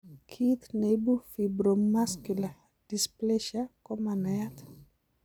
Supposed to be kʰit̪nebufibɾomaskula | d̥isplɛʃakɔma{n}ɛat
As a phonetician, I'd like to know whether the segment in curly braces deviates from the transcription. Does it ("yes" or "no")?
no